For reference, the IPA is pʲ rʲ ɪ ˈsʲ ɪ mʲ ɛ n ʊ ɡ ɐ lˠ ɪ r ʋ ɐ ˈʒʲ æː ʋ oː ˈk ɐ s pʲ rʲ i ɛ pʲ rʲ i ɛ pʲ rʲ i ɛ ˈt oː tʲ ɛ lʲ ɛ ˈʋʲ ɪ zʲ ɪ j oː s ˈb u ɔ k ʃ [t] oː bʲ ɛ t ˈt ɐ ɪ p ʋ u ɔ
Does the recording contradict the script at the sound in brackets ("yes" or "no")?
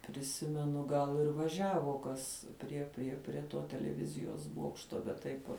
no